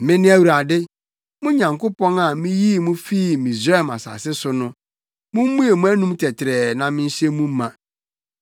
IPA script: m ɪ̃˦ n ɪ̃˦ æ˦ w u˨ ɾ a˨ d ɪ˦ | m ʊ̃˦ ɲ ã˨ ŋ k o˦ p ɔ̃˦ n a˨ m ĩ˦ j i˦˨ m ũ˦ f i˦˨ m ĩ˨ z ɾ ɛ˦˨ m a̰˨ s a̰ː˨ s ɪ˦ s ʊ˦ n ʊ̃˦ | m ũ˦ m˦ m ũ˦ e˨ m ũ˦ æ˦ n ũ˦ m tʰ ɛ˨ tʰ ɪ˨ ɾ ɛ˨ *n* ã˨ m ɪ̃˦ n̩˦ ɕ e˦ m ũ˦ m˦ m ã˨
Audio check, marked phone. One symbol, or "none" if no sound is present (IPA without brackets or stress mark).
n